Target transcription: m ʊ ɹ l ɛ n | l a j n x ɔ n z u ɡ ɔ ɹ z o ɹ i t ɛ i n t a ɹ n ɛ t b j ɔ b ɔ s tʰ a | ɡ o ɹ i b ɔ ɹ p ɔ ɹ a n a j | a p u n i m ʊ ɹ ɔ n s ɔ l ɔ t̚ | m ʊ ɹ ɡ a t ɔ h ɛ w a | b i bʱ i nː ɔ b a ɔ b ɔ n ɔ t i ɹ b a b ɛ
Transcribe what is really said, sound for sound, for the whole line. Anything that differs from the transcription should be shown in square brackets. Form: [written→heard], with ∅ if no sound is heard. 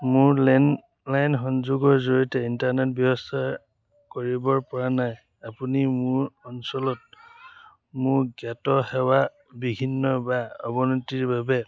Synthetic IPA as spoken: m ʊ ɹ l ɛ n | l a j n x ɔ n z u ɡ ɔ ɹ z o ɹ i t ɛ i n t a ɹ n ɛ t b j ɔ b ɔ s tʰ a | [ɡ→k] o ɹ i b ɔ ɹ p ɔ ɹ a n a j | a p u n i m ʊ ɹ ɔ n s ɔ l ɔ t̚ | m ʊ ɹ ɡ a t ɔ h ɛ w a | b i bʱ i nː ɔ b a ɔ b ɔ n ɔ t i ɹ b a b ɛ